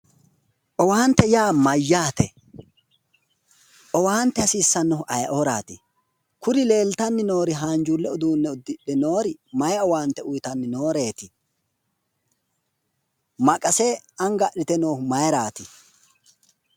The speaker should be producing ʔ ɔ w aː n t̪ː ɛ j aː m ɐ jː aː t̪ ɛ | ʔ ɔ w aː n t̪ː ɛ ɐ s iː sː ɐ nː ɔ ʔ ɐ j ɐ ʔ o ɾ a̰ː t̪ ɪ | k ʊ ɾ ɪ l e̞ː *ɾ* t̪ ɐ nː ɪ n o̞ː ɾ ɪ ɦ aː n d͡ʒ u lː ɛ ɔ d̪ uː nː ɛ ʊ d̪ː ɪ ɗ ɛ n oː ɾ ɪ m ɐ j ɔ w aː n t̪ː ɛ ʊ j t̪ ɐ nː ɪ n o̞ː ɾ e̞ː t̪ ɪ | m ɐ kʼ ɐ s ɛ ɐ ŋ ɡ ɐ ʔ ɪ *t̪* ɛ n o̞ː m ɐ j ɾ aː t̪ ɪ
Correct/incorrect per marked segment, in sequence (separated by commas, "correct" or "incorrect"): incorrect, correct